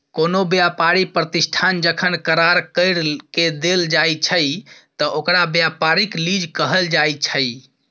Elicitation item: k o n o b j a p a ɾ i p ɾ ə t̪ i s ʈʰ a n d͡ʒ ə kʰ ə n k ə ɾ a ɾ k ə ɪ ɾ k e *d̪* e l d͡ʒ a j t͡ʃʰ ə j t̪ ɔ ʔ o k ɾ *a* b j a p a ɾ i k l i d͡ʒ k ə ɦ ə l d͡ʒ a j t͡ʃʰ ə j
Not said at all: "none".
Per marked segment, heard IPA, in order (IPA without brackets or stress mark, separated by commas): d̪, a